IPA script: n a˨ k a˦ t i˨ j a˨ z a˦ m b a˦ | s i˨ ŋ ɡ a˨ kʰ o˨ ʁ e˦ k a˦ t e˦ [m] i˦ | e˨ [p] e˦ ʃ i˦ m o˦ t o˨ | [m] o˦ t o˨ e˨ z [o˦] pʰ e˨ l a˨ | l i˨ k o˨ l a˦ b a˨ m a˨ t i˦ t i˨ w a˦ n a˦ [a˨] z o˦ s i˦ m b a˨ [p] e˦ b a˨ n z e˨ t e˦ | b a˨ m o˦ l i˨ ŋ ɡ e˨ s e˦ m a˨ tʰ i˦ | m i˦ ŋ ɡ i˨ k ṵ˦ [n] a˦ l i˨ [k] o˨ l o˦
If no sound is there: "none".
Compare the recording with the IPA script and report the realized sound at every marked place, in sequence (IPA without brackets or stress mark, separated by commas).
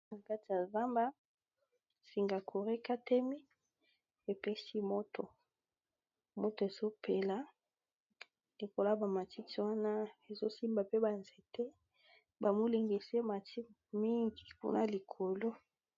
m, p, m, o˦, e˨, p, n, kʰ